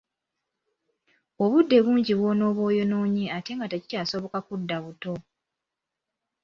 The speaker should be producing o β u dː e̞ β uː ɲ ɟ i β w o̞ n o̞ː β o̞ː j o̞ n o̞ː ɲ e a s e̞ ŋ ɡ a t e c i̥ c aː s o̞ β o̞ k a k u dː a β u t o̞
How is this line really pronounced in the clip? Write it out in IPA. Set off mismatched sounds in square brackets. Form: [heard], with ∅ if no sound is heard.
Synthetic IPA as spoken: o β u dː e̞ β uː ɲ ɟ i β w o̞ n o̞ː β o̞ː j o̞ n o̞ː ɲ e a [t] e̞ ŋ ɡ a t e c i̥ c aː s o̞ β o̞ k a k u dː a β u t o̞